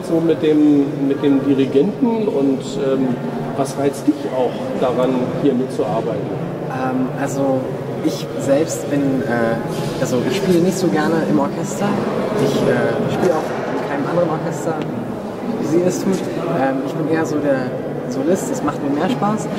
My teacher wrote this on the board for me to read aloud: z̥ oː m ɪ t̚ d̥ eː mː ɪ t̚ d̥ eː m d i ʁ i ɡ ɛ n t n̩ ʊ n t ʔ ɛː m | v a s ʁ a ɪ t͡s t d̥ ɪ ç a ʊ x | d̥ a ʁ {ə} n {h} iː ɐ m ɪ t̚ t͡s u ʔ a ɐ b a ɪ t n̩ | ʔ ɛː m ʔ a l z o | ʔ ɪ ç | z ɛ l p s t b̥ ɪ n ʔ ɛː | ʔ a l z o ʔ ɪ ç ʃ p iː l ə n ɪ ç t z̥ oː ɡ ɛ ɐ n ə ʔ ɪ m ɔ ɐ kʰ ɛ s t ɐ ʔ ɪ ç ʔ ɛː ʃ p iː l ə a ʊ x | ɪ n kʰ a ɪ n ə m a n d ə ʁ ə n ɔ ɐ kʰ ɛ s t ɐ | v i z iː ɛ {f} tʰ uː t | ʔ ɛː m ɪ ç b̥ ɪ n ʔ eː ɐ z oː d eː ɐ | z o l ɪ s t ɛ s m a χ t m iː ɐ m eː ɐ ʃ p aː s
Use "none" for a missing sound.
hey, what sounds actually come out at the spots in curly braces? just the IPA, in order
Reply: a, h, s

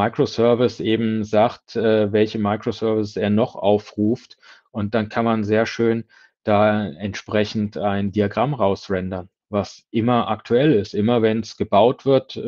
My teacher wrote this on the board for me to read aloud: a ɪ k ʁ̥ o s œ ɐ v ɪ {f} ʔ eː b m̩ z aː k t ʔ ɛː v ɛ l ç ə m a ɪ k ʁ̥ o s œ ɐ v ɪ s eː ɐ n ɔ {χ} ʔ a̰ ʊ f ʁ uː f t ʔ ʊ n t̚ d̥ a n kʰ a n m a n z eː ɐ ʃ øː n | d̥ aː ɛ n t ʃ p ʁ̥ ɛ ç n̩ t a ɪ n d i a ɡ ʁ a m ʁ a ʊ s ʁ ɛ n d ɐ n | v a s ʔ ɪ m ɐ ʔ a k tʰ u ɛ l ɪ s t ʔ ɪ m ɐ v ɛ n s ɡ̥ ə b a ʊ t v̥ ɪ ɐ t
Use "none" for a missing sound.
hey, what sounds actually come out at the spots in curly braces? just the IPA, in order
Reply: s, χ

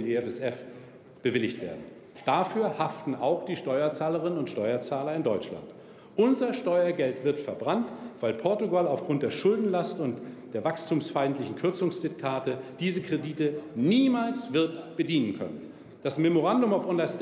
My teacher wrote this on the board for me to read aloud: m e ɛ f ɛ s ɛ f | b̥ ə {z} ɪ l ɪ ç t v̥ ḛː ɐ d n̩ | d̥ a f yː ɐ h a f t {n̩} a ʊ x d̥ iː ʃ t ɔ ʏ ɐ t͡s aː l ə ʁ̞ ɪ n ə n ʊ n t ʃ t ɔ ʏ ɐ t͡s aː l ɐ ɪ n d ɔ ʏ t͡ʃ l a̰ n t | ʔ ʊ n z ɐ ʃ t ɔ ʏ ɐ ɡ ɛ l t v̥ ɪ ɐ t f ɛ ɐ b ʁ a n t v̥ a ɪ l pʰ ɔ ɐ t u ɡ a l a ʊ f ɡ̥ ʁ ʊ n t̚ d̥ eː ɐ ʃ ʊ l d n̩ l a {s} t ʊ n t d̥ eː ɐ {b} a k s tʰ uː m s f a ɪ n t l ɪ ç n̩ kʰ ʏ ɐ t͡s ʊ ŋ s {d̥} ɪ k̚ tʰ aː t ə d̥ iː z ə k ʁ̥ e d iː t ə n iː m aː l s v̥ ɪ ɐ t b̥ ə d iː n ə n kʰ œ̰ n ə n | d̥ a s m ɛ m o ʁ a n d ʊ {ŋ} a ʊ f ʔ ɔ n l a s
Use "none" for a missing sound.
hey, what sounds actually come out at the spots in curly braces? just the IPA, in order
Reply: v, n̩, s, v, d̥, m

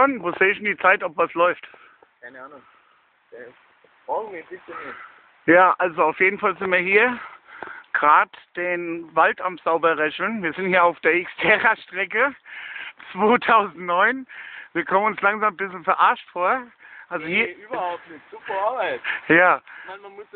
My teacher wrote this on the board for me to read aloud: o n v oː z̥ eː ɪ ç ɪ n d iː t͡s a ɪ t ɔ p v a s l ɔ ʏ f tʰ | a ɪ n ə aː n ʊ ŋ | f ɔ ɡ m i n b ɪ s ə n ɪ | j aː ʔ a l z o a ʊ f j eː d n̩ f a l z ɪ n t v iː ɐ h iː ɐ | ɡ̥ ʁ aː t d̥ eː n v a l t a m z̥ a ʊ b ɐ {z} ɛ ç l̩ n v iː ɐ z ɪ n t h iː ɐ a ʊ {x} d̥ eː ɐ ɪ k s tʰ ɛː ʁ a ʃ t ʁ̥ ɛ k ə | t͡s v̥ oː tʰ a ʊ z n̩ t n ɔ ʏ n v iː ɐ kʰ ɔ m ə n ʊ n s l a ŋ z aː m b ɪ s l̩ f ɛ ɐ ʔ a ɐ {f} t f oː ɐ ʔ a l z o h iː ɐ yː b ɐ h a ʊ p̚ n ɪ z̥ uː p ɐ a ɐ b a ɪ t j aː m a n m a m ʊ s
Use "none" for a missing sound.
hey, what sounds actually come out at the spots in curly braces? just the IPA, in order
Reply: ʁ, f, ʃ

